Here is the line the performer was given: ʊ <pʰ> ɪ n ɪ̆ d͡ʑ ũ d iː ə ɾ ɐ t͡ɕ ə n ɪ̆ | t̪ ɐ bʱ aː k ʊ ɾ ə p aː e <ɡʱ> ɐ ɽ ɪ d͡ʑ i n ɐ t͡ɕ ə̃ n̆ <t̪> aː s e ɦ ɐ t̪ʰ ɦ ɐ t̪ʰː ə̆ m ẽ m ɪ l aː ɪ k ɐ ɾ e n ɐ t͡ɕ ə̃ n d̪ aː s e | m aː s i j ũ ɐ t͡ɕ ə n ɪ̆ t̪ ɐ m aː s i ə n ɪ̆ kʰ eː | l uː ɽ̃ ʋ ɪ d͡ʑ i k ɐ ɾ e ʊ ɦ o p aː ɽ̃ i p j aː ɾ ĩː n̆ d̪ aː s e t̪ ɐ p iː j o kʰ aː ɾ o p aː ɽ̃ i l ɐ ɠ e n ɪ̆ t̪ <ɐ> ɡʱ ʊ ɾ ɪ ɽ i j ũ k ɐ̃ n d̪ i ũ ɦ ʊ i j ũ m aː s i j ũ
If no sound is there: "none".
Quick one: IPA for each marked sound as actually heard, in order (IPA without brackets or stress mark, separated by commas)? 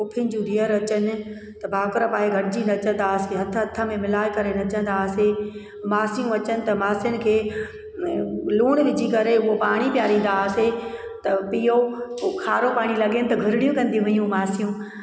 pʰ, ɡʱ, d̪, ɐ